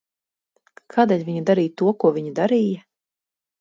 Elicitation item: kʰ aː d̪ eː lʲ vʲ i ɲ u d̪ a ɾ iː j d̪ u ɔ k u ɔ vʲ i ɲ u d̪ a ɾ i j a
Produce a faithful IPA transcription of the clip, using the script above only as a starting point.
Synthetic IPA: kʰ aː d̪ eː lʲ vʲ i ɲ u d̪ a ɾ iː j t̪ u ɔ k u ɔ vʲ i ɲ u d̪ a ɾ i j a